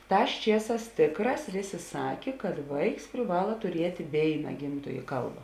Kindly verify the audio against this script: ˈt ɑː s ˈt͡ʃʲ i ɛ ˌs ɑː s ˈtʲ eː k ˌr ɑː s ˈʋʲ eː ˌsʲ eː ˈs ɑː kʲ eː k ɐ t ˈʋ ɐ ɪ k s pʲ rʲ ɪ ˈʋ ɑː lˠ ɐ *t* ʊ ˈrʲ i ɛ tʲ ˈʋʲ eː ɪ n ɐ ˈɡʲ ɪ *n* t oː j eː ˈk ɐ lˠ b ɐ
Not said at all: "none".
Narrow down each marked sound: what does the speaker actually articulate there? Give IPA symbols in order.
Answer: t, m

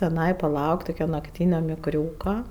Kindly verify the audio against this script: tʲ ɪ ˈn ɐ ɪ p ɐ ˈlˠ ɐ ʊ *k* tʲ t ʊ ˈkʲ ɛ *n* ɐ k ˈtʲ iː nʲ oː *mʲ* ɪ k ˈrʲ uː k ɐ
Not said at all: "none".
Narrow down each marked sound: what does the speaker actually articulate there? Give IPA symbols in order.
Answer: k, n, mʲ

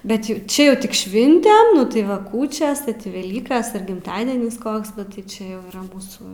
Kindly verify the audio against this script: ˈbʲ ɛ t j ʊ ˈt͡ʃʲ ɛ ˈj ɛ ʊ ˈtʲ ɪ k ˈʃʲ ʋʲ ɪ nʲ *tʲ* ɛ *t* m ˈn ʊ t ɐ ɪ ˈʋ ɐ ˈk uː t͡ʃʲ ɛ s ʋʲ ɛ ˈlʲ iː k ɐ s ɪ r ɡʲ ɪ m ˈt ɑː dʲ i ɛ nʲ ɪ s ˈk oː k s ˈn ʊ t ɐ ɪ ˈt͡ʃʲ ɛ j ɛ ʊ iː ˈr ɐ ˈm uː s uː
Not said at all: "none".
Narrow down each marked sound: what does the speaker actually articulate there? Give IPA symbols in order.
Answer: tʲ, none

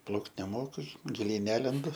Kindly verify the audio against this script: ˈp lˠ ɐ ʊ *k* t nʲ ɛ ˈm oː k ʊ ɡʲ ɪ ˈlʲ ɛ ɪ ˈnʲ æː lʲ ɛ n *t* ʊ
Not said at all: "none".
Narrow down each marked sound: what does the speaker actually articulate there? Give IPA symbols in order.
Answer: k, d

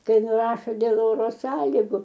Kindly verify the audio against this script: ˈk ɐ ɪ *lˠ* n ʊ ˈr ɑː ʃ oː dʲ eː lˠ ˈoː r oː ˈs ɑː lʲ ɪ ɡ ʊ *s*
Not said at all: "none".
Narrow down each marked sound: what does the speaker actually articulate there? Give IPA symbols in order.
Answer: none, none

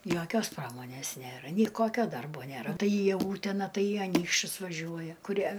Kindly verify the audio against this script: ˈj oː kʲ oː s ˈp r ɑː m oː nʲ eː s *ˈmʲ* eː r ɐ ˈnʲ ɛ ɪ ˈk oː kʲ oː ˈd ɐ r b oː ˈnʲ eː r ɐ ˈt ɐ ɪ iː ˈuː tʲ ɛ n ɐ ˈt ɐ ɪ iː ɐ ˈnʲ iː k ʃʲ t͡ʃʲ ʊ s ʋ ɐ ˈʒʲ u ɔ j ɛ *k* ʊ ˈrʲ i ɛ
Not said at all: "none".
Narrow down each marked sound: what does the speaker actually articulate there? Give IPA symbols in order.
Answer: nʲ, k

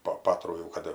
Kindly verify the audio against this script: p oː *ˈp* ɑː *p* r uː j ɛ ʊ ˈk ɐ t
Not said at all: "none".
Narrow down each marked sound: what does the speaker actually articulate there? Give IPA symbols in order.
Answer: p, t

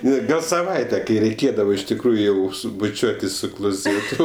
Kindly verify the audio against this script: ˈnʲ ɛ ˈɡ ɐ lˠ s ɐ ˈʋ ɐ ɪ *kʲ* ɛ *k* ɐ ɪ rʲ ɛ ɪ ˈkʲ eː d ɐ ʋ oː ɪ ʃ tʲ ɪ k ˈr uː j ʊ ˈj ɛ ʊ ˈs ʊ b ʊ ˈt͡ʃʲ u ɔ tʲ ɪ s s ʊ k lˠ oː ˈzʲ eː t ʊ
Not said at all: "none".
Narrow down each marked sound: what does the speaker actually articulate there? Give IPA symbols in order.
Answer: tʲ, k

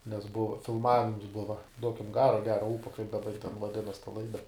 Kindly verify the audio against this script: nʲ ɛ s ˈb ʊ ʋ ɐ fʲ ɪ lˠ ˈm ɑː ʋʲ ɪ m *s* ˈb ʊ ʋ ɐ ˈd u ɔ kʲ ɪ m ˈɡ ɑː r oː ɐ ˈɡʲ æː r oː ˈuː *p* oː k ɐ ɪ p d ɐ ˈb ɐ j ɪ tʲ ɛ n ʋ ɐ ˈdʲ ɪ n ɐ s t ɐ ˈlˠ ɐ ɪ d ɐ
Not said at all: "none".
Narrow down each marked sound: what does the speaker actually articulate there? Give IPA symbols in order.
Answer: s, p

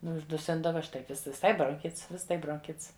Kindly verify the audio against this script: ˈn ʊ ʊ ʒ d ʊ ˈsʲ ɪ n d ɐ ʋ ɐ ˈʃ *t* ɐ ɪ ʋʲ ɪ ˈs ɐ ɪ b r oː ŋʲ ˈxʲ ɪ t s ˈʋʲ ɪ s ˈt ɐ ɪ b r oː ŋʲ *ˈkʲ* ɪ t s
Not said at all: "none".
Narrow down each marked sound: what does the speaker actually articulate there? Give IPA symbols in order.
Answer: t, kʲ

